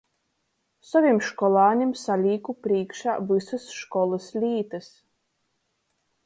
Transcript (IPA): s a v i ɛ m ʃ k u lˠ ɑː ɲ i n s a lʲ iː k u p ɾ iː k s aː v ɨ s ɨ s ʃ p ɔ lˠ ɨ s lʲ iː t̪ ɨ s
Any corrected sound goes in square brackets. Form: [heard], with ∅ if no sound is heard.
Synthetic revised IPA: s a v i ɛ m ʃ k [ɔ] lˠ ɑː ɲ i [m] s a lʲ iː k u p ɾ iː k [ʃ] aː v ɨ s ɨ s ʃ [k] ɔ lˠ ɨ s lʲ iː t̪ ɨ s